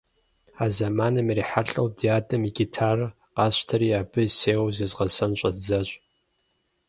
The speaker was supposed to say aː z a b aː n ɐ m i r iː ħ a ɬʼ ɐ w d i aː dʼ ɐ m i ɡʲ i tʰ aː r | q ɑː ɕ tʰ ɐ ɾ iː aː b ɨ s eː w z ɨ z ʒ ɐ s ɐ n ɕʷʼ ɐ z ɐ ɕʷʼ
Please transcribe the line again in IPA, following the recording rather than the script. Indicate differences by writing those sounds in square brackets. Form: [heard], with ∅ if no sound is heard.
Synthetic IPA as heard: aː z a [m] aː n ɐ m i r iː ħ a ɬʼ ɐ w d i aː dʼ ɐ m i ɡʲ i tʰ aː r | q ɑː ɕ tʰ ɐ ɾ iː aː b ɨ s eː w z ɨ z [ʁ] ɐ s ɐ n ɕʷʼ ɐ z ɐ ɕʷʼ